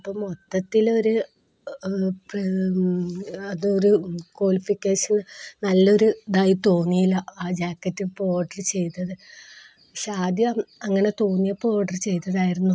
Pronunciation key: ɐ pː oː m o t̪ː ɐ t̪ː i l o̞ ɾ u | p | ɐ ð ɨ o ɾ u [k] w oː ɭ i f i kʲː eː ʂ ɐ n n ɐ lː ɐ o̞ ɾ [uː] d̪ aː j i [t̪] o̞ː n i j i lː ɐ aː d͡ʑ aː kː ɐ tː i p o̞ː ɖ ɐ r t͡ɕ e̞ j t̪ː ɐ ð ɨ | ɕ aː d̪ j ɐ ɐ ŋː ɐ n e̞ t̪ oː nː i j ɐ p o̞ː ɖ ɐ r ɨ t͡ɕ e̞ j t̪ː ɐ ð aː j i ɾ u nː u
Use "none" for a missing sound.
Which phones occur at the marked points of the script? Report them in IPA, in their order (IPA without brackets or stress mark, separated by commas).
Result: k, u, t̪